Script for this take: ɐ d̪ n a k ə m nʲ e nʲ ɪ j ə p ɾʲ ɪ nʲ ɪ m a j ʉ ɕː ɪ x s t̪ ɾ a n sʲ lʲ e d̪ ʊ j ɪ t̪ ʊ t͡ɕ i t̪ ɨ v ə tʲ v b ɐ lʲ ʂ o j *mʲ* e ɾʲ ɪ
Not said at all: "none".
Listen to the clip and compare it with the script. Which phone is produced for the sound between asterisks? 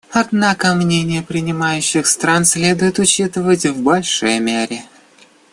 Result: mʲ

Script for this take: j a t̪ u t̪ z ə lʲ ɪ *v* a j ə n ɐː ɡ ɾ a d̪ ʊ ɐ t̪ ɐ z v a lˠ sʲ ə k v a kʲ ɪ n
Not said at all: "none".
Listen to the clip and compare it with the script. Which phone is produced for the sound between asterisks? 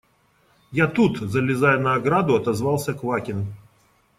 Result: z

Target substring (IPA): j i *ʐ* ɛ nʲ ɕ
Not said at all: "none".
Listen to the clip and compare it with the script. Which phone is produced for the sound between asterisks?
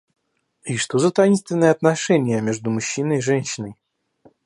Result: ʐ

